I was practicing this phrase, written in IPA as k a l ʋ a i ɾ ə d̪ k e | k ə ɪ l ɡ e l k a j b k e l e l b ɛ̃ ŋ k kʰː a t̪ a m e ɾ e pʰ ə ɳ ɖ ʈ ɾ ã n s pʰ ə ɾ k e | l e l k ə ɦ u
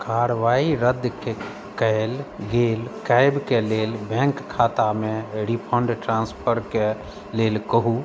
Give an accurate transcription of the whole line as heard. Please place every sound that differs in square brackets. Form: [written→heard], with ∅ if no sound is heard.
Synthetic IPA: k a [l→ɾ] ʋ a i ɾ ə d̪ k e | k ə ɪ l ɡ e l k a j b k e l e l b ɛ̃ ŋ k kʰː a t̪ a m e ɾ [e→i] pʰ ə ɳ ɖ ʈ ɾ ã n s pʰ ə ɾ k e | l e l k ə ɦ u